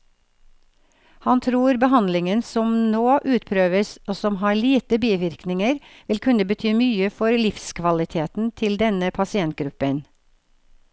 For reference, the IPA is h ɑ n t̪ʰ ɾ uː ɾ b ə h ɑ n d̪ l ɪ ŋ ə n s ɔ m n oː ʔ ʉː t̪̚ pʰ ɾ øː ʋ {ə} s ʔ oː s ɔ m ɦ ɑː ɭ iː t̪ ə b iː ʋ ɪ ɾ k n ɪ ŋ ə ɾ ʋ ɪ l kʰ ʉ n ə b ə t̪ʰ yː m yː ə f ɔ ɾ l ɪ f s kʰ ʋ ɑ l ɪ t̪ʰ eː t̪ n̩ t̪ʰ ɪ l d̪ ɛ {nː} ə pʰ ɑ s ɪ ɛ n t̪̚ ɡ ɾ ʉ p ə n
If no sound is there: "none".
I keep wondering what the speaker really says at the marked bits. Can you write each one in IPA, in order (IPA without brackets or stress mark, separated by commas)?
ə, n